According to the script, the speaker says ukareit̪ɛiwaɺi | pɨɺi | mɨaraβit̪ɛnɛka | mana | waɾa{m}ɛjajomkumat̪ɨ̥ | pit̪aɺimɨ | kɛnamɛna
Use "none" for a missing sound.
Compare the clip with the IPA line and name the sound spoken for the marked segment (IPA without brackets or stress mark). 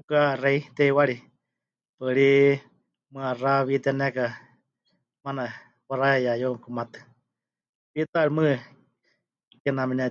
none